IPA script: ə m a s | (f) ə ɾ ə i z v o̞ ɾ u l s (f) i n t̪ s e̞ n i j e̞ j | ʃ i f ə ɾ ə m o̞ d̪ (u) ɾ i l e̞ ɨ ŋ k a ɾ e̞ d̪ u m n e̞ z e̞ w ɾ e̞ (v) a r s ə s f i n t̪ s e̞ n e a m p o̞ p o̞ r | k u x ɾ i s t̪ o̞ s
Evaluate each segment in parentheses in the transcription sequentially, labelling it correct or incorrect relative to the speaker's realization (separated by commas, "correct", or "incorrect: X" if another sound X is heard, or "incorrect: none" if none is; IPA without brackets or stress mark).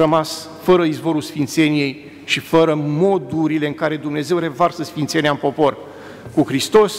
correct, correct, correct, correct